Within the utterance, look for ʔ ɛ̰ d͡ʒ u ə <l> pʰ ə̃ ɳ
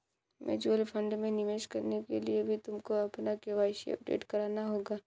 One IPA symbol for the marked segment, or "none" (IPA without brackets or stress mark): l